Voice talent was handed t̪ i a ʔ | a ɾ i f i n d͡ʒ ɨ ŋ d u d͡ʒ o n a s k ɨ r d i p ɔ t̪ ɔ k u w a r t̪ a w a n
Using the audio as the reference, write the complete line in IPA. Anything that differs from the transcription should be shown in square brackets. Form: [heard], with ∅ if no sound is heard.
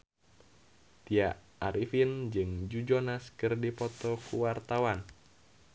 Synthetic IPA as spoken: t̪ i a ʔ | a ɾ i f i n d͡ʒ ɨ ŋ [d͡ʒ] u d͡ʒ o n a s k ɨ r d i p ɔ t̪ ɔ k u w a r t̪ a w a n